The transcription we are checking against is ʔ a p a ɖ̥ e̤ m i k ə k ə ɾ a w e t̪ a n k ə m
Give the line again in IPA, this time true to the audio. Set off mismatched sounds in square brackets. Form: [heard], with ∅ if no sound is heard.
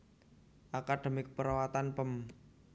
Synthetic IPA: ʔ a [k] a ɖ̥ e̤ m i k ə [p] ə ɾ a w [a] t̪ a n [p] ə m

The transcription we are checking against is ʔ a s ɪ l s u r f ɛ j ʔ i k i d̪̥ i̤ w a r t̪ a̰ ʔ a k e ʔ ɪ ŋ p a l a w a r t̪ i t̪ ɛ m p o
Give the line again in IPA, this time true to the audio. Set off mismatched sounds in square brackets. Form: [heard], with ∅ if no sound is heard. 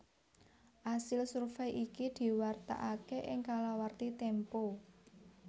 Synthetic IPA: ʔ a s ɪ l s u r f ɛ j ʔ i k i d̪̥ i̤ w a r t̪ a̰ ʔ a k e ʔ ɪ ŋ [k] a l a w a r t̪ i t̪ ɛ m p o

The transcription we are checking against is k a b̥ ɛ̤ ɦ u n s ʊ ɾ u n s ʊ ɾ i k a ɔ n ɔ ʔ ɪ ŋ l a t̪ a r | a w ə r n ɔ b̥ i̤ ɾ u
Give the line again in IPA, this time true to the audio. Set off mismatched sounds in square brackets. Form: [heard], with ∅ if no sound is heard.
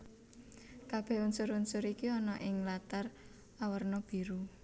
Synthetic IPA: k a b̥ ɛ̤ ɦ u n s ʊ ɾ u n s ʊ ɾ i k [i] ɔ n ɔ ʔ ɪ ŋ l a t̪ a r | a w ə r n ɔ b̥ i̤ ɾ u

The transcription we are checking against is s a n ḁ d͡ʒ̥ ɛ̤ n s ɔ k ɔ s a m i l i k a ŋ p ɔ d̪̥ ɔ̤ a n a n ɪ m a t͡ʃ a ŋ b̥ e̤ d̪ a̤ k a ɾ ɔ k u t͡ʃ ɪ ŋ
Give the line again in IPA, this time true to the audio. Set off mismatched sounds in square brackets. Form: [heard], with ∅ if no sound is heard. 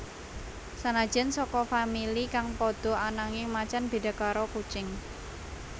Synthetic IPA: s a n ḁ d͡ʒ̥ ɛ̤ n s ɔ k ɔ [f] a m i l i k a ŋ p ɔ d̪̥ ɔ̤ a n a [ŋ] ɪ m a t͡ʃ a [n] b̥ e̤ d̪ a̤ k a ɾ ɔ k u t͡ʃ ɪ ŋ

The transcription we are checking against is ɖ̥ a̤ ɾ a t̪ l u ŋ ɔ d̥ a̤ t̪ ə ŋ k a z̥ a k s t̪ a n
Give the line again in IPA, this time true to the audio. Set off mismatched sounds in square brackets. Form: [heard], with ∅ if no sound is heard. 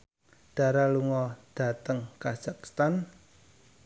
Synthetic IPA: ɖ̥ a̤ ɾ a [∅] l u ŋ ɔ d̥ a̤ t̪ ə ŋ k a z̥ a k s t̪ a n

